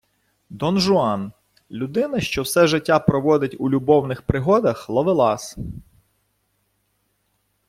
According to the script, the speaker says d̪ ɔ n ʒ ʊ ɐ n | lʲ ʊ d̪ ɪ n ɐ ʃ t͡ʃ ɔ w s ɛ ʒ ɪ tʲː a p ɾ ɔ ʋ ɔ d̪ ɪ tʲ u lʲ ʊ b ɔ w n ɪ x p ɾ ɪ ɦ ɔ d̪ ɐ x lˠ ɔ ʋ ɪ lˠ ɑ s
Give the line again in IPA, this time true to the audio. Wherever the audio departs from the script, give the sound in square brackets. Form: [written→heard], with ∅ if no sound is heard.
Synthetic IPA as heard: d̪ ɔ n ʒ ʊ [ɐ→ɑ] n | lʲ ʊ d̪ ɪ n ɐ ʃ t͡ʃ ɔ w s ɛ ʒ ɪ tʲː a p ɾ ɔ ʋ ɔ d̪ ɪ tʲ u lʲ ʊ b ɔ w n ɪ x p ɾ ɪ ɦ ɔ d̪ ɐ x lˠ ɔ ʋ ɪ lˠ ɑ s

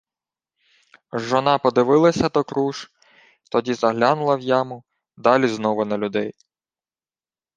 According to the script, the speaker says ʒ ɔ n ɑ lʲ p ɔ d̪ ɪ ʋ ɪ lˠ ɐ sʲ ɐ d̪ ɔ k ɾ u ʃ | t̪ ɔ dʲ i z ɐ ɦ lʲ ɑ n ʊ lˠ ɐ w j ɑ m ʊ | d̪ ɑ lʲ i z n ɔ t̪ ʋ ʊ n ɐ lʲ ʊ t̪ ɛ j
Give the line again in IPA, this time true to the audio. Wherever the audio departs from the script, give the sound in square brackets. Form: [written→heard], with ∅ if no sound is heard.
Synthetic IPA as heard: ʒ ɔ n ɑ [lʲ→∅] p ɔ d̪ ɪ ʋ ɪ lˠ ɐ sʲ ɐ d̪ ɔ k ɾ u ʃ | t̪ ɔ dʲ i z ɐ ɦ lʲ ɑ n ʊ lˠ ɐ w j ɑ m ʊ | d̪ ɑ lʲ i z n ɔ [t̪→∅] ʋ ʊ n ɐ lʲ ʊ [t̪→d̪] ɛ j

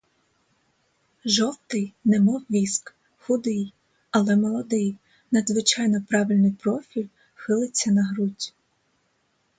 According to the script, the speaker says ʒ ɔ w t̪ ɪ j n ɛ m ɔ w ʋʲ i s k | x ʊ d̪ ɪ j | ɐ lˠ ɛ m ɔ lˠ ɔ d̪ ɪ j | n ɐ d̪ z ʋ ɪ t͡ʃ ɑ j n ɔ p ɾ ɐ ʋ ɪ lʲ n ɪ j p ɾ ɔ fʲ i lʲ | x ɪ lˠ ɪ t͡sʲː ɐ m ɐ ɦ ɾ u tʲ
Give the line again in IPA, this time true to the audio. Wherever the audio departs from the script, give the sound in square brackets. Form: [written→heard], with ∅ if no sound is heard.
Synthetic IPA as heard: ʒ ɔ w t̪ ɪ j n ɛ m ɔ w ʋʲ i s k | x ʊ d̪ ɪ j | ɐ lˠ ɛ m ɔ lˠ ɔ d̪ ɪ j | n ɐ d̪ z ʋ ɪ t͡ʃ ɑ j n ɔ p ɾ [ɐ→ɑ] ʋ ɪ lʲ n ɪ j p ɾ ɔ fʲ i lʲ | x ɪ lˠ ɪ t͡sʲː ɐ [m→n] ɐ ɦ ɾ u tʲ

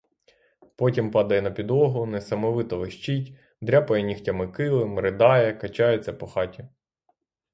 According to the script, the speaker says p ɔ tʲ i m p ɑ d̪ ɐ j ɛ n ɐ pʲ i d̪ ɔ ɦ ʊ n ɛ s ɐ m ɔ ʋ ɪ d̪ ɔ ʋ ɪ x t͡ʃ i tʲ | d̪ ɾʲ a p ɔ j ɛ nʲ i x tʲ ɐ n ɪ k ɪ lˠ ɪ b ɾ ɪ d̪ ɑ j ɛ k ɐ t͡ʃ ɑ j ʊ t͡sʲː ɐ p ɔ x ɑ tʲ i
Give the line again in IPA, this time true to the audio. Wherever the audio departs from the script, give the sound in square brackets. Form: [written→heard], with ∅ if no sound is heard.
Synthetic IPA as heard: p ɔ tʲ i m p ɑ d̪ ɐ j ɛ n ɐ pʲ i d̪ ɔ ɦ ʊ n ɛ s ɐ m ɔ ʋ ɪ [d̪→t̪] ɔ ʋ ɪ [x→ʃ] t͡ʃ i tʲ | d̪ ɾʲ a p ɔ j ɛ nʲ i x tʲ ɐ [n→m] ɪ k ɪ lˠ ɪ [b→m] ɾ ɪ d̪ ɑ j ɛ k ɐ t͡ʃ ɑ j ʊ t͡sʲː ɐ p ɔ x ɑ tʲ i

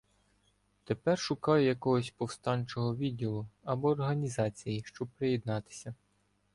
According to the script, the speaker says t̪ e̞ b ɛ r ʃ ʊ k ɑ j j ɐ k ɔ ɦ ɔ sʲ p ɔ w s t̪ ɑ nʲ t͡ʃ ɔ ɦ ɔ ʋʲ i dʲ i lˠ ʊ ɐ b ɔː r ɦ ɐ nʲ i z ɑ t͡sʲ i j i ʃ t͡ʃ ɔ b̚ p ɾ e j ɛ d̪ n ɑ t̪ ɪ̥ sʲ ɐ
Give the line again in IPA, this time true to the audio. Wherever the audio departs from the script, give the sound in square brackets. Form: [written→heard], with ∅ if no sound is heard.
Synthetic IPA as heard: t̪ e̞ [b→p] ɛ r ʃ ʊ k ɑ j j ɐ k ɔ ɦ ɔ sʲ p ɔ w s t̪ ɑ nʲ t͡ʃ ɔ ɦ ɔ ʋʲ i dʲ i lˠ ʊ ɐ b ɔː r ɦ ɐ nʲ i z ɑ t͡sʲ i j i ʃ t͡ʃ ɔ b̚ p ɾ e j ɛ d̪ n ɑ t̪ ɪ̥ sʲ ɐ

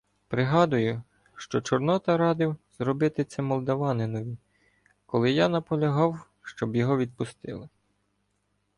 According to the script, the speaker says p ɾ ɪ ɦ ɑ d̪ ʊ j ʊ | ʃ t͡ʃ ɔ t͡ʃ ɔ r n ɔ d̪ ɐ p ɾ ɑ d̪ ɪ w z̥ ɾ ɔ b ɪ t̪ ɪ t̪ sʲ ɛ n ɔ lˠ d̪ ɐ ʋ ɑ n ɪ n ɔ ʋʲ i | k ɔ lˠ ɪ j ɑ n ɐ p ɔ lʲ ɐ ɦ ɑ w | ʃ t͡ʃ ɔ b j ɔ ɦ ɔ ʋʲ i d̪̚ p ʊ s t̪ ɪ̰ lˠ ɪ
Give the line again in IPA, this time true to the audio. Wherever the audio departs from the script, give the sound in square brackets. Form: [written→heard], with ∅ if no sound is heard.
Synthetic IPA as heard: p ɾ ɪ ɦ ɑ d̪ ʊ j ʊ | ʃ t͡ʃ ɔ t͡ʃ ɔ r n ɔ [d̪→t̪] ɐ [p→∅] ɾ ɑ d̪ ɪ w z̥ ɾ ɔ b ɪ t̪ ɪ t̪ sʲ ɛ [n→m] ɔ lˠ d̪ ɐ ʋ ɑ n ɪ n ɔ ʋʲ i | k ɔ lˠ ɪ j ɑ n ɐ p ɔ lʲ ɐ ɦ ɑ w | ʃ t͡ʃ ɔ b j ɔ ɦ ɔ ʋʲ i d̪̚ p ʊ s t̪ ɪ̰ lˠ ɪ

